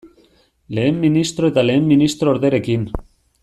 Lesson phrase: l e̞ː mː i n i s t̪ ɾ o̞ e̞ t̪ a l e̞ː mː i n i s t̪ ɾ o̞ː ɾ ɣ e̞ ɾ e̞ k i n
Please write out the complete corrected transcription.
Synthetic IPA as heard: l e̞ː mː i n i s t̪ ɾ o̞ e̞ t̪ a l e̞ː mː i n i s t̪ ɾ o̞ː ɾ ð e̞ ɾ e̞ k i n

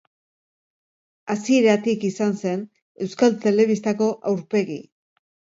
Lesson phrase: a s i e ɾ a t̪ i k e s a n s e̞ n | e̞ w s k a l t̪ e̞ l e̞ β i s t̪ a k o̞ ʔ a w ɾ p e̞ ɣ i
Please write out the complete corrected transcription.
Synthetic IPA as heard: a s i e ɾ a t̪ i k i s a n s e̞ n | e̞ w s k a l t̪ e̞ l e̞ β i s t̪ a k o̞ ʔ a w ɾ p e̞ ɣ i

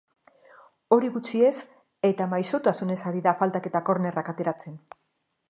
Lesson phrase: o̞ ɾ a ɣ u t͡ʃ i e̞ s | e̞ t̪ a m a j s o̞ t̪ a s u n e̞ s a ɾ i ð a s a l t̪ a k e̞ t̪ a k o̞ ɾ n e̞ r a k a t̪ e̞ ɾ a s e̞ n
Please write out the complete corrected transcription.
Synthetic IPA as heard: o̞ ɾ i ɣ u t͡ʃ i e̞ s | e̞ t̪ a m a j s o̞ t̪ a s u n e̞ s a ɾ i ð a f a l t̪ a k e̞ t̪ a k o̞ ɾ n e̞ r a k a t̪ e̞ ɾ a t͡s e̞ n

